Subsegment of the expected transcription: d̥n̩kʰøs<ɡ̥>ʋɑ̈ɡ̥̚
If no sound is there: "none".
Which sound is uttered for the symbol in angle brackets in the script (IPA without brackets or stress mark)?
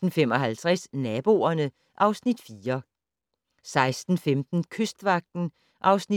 d̥